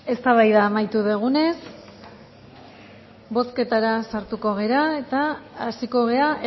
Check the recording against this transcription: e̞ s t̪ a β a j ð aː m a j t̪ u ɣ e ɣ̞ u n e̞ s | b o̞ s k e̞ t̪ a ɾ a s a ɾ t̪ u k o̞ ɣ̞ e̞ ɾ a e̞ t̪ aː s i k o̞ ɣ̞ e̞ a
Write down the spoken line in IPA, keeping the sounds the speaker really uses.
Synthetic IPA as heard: e̞ s t̪ a β a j ð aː m a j t̪ u ð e ɣ̞ u n e̞ s | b o̞ s k e̞ t̪ a ɾ a s a ɾ t̪ u k o̞ ɣ̞ e̞ ɾ a e̞ t̪ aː s i k o̞ ɣ̞ e̞ a